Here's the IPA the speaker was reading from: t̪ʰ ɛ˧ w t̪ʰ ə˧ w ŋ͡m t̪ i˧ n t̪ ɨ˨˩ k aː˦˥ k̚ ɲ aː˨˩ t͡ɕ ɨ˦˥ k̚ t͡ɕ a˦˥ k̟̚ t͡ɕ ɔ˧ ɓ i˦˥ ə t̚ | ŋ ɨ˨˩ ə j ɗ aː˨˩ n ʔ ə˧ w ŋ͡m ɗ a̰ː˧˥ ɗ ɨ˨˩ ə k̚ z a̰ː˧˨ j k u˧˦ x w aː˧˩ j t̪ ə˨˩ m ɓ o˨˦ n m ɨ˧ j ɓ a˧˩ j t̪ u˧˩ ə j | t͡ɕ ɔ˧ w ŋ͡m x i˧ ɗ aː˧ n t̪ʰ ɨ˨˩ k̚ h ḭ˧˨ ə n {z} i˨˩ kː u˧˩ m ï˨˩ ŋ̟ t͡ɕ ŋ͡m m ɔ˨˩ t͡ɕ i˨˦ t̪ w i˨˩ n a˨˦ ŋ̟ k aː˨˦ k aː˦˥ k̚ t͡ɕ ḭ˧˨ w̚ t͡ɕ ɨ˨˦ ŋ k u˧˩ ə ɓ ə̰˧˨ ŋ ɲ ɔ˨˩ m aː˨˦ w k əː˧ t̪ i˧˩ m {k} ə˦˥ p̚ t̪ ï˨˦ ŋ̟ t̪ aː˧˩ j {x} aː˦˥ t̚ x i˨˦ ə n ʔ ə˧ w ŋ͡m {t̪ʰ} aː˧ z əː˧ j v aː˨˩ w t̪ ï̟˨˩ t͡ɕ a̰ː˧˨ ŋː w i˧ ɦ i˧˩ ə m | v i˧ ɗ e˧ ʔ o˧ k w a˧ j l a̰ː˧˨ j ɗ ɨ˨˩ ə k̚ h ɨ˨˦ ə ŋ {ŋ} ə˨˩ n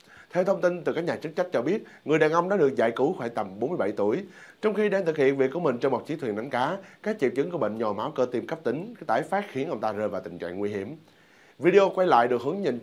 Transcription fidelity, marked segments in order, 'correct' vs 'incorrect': incorrect: v, correct, incorrect: f, incorrect: t̪, incorrect: ɲ

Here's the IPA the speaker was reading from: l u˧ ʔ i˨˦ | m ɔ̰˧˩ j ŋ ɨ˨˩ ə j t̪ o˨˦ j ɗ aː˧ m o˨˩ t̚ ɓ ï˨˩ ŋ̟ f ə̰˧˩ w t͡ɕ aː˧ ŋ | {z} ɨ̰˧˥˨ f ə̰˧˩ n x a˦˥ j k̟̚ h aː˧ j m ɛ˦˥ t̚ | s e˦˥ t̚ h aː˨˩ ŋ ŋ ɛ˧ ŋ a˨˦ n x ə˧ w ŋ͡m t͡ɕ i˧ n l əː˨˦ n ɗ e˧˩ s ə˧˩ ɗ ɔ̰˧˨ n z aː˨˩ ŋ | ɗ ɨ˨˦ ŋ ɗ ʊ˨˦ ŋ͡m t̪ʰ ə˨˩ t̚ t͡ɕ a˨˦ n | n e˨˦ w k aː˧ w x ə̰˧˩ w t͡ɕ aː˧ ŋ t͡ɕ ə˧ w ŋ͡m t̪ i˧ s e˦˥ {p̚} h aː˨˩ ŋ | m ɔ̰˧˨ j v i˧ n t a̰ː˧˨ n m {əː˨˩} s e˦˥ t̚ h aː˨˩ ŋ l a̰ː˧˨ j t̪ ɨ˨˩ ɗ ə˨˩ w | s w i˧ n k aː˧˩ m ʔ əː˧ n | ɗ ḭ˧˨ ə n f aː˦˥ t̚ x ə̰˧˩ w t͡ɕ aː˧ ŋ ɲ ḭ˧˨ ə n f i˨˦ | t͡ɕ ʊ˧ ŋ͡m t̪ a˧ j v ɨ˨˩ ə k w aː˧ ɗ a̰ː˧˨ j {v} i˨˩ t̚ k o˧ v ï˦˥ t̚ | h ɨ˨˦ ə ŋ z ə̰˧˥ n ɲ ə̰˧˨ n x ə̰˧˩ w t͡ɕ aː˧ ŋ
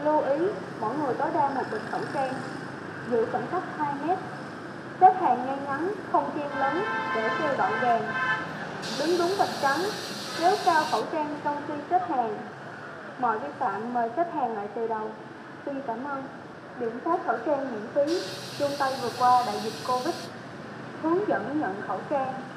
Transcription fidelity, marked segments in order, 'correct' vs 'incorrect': correct, incorrect: t̚, correct, incorrect: z

